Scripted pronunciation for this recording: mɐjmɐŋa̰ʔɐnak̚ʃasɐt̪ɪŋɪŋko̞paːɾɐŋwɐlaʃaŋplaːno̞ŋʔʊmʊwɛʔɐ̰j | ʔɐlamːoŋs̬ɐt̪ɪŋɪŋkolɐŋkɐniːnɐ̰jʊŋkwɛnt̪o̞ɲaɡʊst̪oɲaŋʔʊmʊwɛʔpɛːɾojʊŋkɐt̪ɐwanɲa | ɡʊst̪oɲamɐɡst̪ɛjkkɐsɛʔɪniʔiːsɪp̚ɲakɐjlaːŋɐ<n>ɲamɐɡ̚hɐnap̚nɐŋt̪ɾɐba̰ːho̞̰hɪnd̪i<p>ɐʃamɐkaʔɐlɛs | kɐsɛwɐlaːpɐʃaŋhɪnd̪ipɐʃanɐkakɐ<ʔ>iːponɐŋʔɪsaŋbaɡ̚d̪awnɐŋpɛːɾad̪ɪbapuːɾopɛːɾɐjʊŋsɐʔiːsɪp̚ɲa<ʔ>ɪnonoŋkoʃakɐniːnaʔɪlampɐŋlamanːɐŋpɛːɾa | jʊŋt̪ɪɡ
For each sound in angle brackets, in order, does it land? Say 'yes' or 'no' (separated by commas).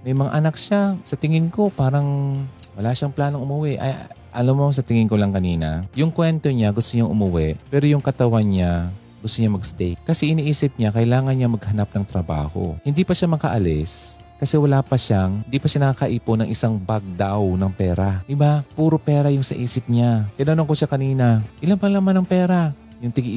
yes, yes, yes, no